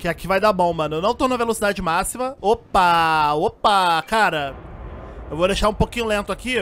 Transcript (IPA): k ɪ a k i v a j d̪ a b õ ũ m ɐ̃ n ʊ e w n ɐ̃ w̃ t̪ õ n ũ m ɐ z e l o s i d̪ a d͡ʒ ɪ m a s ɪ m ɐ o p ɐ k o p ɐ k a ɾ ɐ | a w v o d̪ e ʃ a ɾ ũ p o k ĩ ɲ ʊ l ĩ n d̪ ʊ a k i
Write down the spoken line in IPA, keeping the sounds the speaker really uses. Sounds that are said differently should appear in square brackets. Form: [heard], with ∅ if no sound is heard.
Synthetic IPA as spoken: k ɪ a k i v a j d̪ a b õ [w̃] m ɐ̃ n ʊ e w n ɐ̃ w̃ t̪ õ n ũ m ɐ [v] e l o s i d̪ a d͡ʒ ɪ m a s [i] m ɐ o p ɐ [∅] o p ɐ k a ɾ ɐ | [e] w v o d̪ e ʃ a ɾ ũ p o k ĩ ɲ ʊ l [ẽ] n [t̪] ʊ a k i